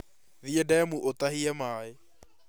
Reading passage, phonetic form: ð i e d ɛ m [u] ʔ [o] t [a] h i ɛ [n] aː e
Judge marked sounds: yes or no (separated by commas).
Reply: yes, yes, yes, no